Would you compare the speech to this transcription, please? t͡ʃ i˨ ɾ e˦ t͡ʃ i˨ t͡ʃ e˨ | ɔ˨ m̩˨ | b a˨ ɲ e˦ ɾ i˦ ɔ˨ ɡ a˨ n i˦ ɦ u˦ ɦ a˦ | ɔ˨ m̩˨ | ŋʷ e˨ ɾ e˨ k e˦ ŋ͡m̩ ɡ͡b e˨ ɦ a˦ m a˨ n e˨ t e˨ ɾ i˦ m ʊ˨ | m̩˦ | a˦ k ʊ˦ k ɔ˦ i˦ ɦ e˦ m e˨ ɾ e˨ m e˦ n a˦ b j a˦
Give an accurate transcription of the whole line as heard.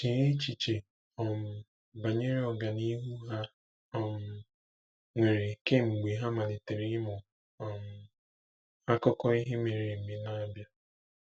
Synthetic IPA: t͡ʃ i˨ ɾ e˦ t͡ʃ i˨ t͡ʃ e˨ | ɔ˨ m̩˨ | b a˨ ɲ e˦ ɾ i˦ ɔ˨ ɡ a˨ n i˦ ɦ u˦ ɦ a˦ | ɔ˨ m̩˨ | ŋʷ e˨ ɾ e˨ k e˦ ŋ͡m̩ ɡ͡b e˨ ɦ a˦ m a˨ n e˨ t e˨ ɾ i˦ m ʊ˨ | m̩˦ | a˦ k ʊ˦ k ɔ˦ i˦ ɦ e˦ m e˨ ɾ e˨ m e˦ n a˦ b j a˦